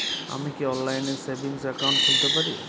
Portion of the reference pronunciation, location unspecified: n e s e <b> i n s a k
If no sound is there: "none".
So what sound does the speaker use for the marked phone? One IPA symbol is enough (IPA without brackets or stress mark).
b